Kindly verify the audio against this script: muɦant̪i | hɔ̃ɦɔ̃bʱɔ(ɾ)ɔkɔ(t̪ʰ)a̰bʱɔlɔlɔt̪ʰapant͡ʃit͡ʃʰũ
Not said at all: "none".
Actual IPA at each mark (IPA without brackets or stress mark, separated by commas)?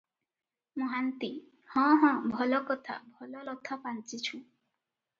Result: l, t̪ʰ